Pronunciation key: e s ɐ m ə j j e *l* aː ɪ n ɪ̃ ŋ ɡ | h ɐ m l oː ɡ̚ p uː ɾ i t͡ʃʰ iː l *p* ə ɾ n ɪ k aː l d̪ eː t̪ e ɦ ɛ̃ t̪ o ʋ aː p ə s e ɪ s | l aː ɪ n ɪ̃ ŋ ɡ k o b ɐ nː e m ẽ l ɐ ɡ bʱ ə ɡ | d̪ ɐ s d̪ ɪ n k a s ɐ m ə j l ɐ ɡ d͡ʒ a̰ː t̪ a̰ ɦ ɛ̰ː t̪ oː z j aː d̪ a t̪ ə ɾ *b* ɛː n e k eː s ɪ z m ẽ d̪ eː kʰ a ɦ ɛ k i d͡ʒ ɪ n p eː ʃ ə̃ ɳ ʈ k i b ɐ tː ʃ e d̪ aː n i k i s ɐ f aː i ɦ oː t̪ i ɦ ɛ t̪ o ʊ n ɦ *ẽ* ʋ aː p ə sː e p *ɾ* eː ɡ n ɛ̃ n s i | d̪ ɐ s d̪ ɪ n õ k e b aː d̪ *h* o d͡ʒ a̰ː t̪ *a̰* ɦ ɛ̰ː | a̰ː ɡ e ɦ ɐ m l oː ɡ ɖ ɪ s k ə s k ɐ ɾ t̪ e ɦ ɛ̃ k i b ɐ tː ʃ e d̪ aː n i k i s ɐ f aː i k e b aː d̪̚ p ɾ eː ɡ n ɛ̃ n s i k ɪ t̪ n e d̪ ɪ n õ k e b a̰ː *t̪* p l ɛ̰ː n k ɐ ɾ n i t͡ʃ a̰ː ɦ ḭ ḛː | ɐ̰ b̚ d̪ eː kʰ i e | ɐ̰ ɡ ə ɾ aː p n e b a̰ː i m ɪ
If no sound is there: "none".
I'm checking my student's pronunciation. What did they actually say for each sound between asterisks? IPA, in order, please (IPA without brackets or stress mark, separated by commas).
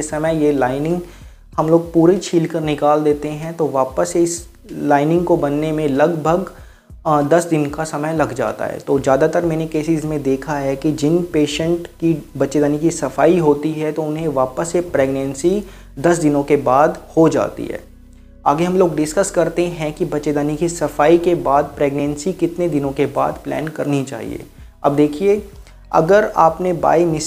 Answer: l, k, m, ẽ, ɾ, h, ḭ, d̪